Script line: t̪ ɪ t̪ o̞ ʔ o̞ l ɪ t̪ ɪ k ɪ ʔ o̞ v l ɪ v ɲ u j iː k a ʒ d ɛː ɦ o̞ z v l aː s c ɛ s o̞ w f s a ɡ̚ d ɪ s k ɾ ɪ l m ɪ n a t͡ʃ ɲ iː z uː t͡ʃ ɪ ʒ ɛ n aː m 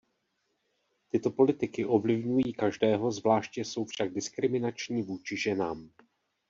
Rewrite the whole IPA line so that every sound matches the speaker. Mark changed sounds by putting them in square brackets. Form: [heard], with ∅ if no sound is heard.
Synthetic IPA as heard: t̪ ɪ t̪ o̞ [p] o̞ l ɪ t̪ ɪ k ɪ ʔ o̞ v l ɪ v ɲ u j iː k a ʒ d ɛː ɦ o̞ z v l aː [ʃ] c ɛ s o̞ w f [ʃ] a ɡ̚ d ɪ s k ɾ ɪ [∅] m ɪ n a t͡ʃ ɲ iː [v] uː t͡ʃ ɪ ʒ ɛ n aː m